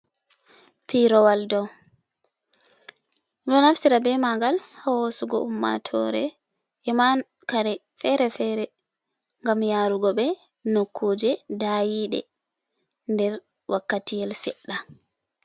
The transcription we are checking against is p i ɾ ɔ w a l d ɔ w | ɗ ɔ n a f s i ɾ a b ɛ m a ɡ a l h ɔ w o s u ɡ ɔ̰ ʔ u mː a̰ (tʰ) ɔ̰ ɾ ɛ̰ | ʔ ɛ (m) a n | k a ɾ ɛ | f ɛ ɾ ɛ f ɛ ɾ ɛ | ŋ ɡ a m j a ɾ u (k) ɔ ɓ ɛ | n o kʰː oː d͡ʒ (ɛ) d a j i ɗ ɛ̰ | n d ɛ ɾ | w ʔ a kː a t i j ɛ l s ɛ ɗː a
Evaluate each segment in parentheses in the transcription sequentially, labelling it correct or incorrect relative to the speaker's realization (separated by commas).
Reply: correct, correct, incorrect, correct